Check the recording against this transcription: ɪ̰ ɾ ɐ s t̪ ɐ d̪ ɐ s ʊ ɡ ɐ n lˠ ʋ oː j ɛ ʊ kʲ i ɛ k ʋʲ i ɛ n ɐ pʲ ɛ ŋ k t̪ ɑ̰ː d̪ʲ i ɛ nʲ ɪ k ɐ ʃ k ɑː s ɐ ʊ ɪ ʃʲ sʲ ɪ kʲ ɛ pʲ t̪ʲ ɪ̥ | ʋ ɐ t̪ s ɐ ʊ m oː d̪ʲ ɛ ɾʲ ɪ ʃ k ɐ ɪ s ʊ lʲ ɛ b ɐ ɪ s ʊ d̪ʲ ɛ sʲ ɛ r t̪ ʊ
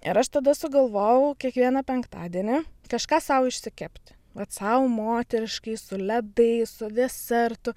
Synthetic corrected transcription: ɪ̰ ɾ ɐ ʃ t̪ ɐ d̪ ɐ s ʊ ɡ ɐ lˠ ʋ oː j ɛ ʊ kʲ i ɛ k ʋʲ i ɛ n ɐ pʲ ɛ ŋ k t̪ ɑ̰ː d̪ʲ i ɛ nʲ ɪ k ɐ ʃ k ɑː s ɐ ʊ ɪ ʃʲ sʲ ɪ kʲ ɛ pʲ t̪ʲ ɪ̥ | ʋ ɐ t̪ s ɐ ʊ m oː t̪ʲ ɛ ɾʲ ɪ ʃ k ɐ ɪ s ʊ lʲ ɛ b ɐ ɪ s ʊ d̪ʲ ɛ sʲ ɛ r t̪ ʊ